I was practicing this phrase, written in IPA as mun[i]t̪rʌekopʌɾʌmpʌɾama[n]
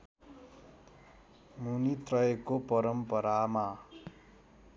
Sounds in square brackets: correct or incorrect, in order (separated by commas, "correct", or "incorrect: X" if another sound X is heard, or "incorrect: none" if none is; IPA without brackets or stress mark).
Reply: correct, incorrect: none